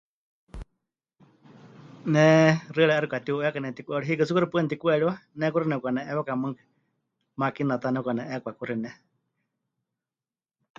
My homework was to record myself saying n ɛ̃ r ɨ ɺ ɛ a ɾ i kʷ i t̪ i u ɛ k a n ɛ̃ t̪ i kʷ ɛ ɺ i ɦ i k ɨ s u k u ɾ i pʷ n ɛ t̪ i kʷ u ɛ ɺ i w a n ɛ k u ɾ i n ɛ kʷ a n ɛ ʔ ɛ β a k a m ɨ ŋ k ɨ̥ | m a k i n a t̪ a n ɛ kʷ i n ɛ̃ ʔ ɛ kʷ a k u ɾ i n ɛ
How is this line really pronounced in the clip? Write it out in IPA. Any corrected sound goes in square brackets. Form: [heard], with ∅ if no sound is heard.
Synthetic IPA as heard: n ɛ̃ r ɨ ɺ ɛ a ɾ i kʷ [a] t̪ i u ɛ k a n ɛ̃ t̪ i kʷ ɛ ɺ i ɦ i k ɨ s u k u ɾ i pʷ n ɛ t̪ i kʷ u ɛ ɺ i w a n ɛ k u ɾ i n ɛ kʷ a n ɛ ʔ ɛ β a k a m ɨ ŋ k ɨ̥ | m a k i n a t̪ a n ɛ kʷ [a] n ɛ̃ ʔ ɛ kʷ a k u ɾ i n ɛ